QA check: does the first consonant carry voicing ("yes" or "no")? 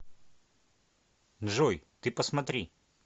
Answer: yes